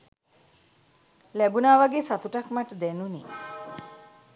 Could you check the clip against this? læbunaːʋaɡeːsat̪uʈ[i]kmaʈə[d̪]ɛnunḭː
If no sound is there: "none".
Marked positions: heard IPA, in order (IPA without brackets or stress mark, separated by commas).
a, d̪